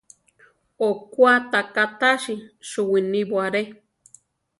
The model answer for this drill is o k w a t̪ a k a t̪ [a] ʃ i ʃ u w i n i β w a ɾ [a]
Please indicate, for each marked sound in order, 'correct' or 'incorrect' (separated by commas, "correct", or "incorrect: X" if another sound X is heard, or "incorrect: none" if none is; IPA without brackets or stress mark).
correct, incorrect: e